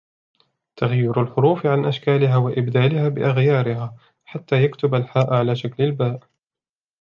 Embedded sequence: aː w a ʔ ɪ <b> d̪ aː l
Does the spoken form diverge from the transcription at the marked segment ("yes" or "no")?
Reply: no